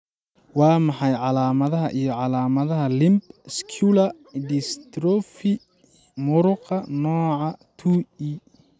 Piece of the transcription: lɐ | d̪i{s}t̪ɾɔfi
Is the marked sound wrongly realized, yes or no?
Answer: no